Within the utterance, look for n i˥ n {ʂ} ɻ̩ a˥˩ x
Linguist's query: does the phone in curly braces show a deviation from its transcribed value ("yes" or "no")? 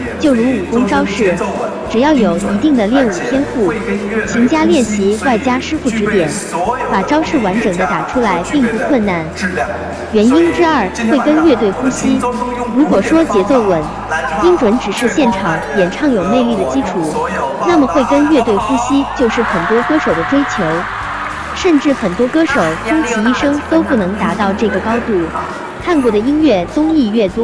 yes